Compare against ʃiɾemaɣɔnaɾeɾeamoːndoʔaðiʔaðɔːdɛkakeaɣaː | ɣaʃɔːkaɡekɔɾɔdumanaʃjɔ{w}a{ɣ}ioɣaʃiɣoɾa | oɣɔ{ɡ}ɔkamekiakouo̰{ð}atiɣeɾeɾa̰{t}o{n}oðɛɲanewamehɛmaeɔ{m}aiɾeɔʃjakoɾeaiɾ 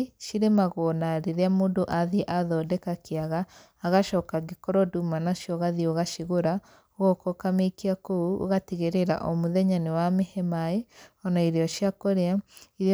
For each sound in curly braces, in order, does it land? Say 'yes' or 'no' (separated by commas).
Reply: no, no, no, no, no, no, no